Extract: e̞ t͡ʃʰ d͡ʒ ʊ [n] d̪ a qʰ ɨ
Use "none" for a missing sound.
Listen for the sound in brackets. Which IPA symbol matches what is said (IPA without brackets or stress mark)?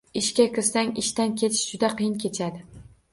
none